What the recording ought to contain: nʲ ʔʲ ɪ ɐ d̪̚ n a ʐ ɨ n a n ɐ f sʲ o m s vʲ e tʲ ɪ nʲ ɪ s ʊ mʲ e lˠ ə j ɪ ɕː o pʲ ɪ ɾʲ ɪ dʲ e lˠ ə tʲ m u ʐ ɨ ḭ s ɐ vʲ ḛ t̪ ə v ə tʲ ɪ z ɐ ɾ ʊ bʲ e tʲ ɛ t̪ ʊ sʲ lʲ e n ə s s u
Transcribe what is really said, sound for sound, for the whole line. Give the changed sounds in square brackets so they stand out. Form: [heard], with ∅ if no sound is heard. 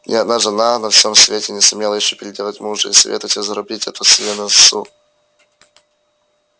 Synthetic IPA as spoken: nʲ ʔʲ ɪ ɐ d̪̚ n a ʐ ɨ n a n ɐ f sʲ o m s vʲ e tʲ ɪ nʲ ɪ s ʊ mʲ e lˠ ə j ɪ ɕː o pʲ ɪ ɾʲ ɪ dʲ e lˠ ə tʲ m u ʐ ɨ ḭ s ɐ vʲ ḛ t̪ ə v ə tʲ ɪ z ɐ ɾ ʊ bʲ [i] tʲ ɛ t̪ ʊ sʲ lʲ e n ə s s u